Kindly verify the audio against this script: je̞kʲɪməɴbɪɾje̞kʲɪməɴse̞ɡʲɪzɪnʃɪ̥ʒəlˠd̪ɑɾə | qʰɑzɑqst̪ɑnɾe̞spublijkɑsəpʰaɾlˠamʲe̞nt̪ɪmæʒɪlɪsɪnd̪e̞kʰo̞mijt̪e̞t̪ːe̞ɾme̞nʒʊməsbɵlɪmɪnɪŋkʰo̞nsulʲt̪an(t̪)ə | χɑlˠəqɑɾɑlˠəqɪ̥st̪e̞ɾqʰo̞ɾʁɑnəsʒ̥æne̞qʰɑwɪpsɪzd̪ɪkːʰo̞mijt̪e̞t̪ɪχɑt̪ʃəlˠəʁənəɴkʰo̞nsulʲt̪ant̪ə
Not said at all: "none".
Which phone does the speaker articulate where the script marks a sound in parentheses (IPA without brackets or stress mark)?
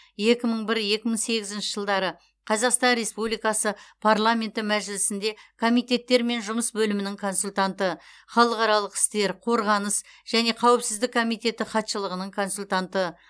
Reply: t̪